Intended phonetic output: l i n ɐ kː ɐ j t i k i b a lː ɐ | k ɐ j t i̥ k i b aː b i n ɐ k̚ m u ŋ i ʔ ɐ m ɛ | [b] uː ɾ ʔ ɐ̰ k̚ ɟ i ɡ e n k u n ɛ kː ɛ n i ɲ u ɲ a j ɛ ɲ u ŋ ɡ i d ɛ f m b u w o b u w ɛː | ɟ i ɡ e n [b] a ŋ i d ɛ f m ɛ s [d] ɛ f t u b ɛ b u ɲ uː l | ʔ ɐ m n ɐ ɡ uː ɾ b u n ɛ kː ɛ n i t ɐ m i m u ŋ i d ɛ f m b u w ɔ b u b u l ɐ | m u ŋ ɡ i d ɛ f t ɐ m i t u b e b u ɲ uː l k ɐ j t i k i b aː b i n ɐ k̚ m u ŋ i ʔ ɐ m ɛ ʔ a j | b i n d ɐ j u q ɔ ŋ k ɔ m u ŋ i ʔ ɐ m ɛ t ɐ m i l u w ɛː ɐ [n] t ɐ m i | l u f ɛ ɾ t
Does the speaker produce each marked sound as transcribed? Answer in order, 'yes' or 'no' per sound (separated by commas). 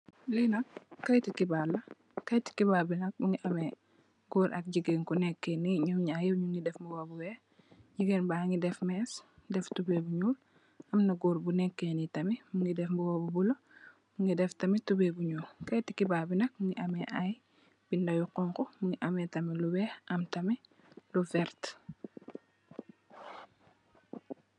no, yes, yes, no